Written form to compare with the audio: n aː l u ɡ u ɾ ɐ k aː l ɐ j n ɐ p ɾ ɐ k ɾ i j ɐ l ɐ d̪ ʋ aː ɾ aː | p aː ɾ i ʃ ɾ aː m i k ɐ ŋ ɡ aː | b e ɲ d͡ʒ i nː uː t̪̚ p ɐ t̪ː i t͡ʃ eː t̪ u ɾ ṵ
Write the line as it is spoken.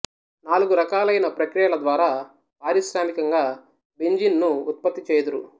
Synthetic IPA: n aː l u ɡ u ɾ ɐ k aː l ɐ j n ɐ p ɾ ɐ k ɾ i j ɐ l ɐ d̪ ʋ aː ɾ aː | p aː ɾ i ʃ ɾ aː m i k ɐ ŋ ɡ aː | b e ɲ d͡ʒ i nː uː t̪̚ p ɐ t̪ː i t͡ʃ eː d̪ u ɾ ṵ